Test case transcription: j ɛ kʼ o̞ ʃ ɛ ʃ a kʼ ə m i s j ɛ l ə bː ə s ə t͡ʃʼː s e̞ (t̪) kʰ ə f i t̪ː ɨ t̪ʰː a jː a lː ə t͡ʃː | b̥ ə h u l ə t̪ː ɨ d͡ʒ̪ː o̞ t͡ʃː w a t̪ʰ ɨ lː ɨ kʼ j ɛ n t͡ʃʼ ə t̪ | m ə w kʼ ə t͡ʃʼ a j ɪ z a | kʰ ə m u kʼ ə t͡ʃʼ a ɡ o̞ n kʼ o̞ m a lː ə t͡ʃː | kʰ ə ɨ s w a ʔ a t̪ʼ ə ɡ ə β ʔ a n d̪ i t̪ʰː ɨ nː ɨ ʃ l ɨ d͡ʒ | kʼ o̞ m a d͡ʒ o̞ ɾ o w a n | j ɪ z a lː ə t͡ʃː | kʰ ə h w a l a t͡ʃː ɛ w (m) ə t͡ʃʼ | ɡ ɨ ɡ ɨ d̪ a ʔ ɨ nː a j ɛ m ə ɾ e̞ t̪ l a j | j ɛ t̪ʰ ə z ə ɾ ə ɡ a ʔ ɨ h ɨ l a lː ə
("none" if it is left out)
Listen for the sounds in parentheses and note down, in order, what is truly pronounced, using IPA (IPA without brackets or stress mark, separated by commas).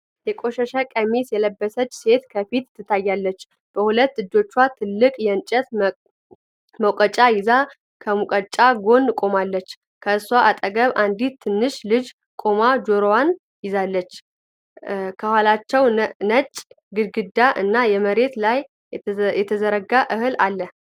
t̪, n